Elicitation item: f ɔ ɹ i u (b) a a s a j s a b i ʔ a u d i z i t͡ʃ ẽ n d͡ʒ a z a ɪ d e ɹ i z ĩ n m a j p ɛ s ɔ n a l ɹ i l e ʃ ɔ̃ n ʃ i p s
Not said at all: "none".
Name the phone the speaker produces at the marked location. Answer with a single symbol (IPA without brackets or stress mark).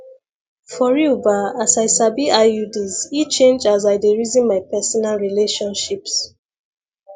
b